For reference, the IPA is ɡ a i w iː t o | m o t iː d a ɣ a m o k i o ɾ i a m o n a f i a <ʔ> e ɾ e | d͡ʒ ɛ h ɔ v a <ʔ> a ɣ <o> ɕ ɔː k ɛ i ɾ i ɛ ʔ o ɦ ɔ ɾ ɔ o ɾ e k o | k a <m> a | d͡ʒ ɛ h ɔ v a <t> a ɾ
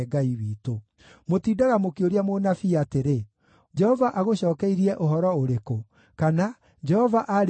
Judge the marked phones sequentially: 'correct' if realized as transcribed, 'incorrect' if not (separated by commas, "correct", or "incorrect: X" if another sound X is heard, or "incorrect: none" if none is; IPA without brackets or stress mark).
incorrect: t, correct, correct, incorrect: n, incorrect: ʔ